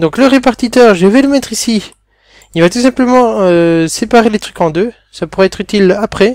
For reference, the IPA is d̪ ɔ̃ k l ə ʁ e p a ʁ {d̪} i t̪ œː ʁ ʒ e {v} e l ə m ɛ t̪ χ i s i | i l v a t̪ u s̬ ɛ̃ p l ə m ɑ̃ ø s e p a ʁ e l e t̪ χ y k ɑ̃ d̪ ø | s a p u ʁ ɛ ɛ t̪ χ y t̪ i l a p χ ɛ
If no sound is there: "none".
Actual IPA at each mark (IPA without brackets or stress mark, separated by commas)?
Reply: t̪, v